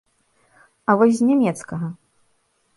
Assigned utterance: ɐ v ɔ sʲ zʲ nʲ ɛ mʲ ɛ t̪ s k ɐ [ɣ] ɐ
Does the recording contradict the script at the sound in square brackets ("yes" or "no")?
no